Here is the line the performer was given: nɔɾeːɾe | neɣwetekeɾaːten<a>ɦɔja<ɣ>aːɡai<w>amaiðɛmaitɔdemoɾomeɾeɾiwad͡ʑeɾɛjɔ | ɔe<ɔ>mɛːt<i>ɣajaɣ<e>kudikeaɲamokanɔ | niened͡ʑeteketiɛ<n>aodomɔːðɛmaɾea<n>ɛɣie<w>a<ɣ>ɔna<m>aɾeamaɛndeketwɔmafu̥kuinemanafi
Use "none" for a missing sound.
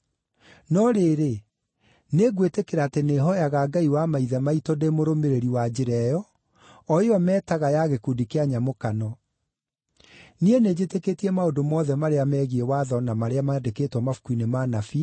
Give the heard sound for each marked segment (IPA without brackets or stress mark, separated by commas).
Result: e, ɣ, w, ɔ, a, e, m, m, w, ð, m